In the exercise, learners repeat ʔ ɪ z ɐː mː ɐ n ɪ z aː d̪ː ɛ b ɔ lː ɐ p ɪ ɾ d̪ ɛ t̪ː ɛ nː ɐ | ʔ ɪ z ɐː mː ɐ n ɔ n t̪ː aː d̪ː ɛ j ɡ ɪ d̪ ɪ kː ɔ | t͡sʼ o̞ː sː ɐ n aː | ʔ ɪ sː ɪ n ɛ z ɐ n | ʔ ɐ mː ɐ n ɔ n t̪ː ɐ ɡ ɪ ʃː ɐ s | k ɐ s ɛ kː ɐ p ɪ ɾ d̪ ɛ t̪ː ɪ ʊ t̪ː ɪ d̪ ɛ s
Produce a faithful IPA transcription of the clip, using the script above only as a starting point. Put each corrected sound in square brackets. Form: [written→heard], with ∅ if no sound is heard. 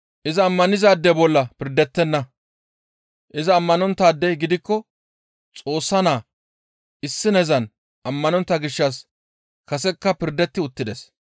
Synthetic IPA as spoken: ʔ ɪ z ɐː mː ɐ n ɪ z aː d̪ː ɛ b ɔ lː ɐ p ɪ ɾ d̪ ɛ t̪ː ɛ nː ɐ | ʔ ɪ z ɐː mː ɐ n ɔ n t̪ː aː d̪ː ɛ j ɡ ɪ d̪ ɪ kː ɔ | t͡sʼ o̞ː sː ɐ n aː | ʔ ɪ sː ɪ n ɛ z ɐ n | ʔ ɐ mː ɐ n ɔ n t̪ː ɐ ɡ ɪ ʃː ɐ s | k ɐ s ɛ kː ɐ p ɪ ɾ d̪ ɛ t̪ː ɪ ʊ t̪ː ɪ d̪ ɛ s

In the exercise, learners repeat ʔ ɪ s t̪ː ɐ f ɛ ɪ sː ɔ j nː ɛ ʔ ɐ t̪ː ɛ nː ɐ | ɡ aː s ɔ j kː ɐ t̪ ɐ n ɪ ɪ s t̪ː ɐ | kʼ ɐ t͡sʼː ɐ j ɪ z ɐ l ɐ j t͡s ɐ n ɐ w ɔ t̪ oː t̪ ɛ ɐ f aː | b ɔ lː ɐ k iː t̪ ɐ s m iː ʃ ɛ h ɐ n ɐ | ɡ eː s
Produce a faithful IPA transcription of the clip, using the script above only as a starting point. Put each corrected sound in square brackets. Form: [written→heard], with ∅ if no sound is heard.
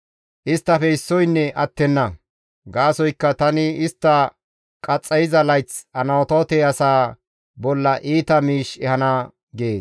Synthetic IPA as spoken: ʔ ɪ s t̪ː ɐ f ɛ ɪ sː ɔ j nː ɛ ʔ ɐ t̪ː ɛ nː ɐ | ɡ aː s ɔ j kː ɐ t̪ ɐ n ɪ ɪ s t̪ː ɐ | kʼ ɐ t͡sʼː ɐ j ɪ z ɐ l ɐ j t͡s ɐ n ɐ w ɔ t̪ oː t̪ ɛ ɐ [f→s] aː | b ɔ lː ɐ [k→ʔ] iː t̪ ɐ [s→∅] m iː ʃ ɛ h ɐ n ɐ | ɡ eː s

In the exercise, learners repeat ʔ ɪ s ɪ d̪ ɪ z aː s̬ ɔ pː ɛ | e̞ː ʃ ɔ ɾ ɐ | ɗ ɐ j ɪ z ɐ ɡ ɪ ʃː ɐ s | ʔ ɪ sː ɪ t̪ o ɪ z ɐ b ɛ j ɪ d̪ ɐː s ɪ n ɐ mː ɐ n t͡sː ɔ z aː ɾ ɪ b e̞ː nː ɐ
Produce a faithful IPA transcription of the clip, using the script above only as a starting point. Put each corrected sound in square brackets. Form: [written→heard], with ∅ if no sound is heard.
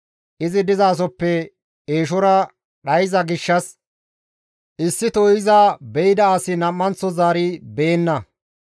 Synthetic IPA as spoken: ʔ ɪ [s→z] ɪ d̪ ɪ z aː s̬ ɔ pː ɛ | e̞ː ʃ ɔ ɾ ɐ | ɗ ɐ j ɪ z ɐ ɡ ɪ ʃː ɐ s | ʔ ɪ sː ɪ t̪ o ɪ z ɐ b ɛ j ɪ d̪ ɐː s ɪ n ɐ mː ɐ n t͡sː ɔ z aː ɾ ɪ b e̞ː nː ɐ

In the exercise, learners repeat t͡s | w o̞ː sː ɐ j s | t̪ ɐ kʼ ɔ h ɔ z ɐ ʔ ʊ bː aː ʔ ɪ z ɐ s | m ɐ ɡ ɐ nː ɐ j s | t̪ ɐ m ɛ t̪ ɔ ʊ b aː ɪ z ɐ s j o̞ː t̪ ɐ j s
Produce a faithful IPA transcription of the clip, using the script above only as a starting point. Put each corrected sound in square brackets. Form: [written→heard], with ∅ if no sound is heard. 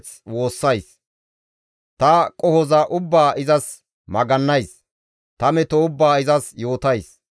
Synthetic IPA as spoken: t͡s | w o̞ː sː ɐ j s | t̪ ɐ kʼ ɔ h ɔ z ɐ ʔ ʊ bː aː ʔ ɪ z ɐ s | m ɐ ɡ ɐ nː ɐ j s | t̪ ɐ m ɛ t̪ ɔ ʊ [b→bː] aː ɪ z ɐ s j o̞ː t̪ ɐ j s

